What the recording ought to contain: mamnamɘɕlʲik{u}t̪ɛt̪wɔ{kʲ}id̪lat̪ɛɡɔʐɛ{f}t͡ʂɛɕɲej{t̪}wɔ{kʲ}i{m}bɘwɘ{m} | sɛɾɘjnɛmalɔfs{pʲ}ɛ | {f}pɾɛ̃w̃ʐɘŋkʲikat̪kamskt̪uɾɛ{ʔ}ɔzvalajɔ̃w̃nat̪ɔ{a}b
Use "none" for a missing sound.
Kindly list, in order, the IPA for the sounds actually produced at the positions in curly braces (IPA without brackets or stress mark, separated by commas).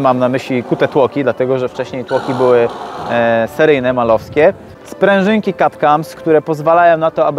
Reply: u, kʲ, f, t̪, kʲ, none, none, kʲ, s, p, a